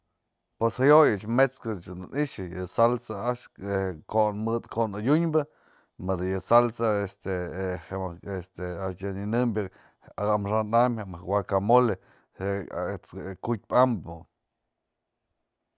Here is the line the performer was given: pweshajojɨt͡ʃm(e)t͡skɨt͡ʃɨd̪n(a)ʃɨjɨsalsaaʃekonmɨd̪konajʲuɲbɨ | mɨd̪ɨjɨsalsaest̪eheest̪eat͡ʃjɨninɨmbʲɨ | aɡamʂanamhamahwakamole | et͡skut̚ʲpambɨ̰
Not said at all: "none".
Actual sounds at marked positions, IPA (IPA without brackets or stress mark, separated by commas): e, i